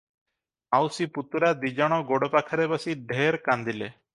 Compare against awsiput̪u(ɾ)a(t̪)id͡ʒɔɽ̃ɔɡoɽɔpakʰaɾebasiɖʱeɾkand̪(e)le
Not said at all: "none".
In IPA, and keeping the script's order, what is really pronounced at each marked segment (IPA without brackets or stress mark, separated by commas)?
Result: ɾ, d̪, i